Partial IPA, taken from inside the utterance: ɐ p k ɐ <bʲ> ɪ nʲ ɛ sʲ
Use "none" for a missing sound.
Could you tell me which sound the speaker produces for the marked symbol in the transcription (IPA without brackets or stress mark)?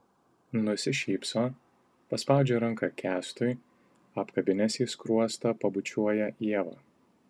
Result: bʲ